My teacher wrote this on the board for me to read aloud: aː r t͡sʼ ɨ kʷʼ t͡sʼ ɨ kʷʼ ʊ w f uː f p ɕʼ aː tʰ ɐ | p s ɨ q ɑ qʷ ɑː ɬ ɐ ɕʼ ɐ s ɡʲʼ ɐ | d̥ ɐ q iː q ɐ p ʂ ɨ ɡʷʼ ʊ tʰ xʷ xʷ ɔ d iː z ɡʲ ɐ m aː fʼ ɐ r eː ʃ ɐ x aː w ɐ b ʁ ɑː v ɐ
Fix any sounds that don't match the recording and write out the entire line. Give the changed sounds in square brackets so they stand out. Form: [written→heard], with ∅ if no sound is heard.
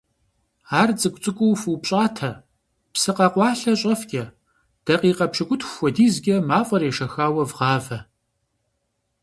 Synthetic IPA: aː r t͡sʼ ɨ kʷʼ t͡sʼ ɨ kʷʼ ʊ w f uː [f→∅] p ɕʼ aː tʰ ɐ | p s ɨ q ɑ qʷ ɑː ɬ ɐ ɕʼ ɐ [s→f] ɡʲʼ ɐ | d̥ ɐ q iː q ɐ p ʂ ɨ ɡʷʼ ʊ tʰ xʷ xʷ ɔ d iː z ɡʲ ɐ m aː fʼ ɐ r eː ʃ ɐ x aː w ɐ [b→v] ʁ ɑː v ɐ